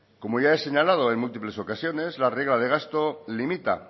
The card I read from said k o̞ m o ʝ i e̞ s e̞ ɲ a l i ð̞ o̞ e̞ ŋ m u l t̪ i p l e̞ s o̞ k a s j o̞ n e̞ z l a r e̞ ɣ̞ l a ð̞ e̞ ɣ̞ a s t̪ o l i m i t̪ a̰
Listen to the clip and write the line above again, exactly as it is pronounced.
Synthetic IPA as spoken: k o̞ m o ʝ a e̞ s e̞ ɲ a l a ð̞ o̞ e̞ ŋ m u l t̪ i p l e̞ s o̞ k a s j o̞ n e̞ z l a r e̞ ɣ̞ l a ð̞ e̞ ɣ̞ a s t̪ o l i m i t̪ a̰